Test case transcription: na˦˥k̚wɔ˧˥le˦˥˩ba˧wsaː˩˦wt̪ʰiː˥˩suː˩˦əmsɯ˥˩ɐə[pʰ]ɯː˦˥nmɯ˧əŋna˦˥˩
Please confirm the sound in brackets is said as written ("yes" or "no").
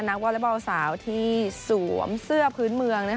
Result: yes